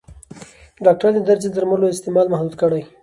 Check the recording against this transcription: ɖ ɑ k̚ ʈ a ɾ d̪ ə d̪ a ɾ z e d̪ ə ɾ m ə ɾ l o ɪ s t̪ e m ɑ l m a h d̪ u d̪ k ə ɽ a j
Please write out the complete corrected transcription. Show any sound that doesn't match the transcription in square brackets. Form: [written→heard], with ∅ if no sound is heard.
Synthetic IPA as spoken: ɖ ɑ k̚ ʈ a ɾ d̪ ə d̪ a ɾ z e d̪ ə ɾ m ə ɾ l o ɪ s t̪ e m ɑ l m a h d̪ u d̪ k ə ɽ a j